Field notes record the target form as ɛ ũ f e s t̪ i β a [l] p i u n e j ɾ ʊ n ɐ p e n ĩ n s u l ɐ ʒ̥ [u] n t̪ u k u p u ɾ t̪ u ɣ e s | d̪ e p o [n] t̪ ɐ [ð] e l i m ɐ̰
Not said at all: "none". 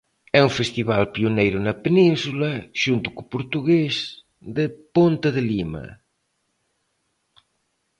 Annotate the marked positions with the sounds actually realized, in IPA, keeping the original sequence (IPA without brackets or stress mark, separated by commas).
l, u, n, ð